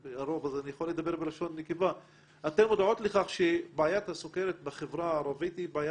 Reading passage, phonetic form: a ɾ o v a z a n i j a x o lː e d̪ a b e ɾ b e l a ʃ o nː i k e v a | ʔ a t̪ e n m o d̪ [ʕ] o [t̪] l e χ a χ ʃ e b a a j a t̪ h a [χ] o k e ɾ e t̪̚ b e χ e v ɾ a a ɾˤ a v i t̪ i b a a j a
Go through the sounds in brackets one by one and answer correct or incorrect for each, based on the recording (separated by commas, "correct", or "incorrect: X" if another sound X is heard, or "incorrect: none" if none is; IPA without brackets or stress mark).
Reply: correct, correct, incorrect: s